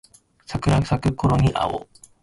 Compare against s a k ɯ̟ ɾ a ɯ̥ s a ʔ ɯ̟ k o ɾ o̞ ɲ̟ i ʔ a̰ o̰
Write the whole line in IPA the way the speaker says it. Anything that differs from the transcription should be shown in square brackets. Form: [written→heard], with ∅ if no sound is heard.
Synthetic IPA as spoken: s a k ɯ̟ ɾ a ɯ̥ s a [ʔ→k] ɯ̟ k o ɾ o̞ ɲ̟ i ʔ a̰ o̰